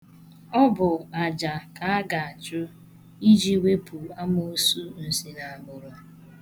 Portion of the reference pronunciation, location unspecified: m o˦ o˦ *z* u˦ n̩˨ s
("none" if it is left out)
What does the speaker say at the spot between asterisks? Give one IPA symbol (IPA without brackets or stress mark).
s